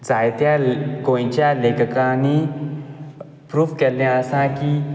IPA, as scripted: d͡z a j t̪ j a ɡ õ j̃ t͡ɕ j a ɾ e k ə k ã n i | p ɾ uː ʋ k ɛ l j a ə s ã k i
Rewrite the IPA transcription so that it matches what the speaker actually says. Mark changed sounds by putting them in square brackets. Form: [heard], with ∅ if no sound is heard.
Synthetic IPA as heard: d͡z a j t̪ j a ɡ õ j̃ t͡ɕ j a [l] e k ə k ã n i | p ɾ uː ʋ k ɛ l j a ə s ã k i